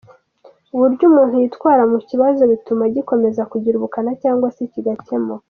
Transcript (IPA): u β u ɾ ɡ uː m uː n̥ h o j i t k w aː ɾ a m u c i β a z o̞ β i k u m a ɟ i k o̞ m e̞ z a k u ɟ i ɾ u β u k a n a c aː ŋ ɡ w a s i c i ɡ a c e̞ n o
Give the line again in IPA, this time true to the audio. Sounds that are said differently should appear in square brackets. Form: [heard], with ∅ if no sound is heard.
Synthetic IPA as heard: u β u ɾ [ɟ] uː m uː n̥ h [u] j i t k w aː ɾ a m u c i β a z o̞ β i [t] u m a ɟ i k o̞ m e̞ z a k u ɟ i ɾ u β u k a n a c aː ŋ ɡ w a s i c i ɡ a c e̞ [m] o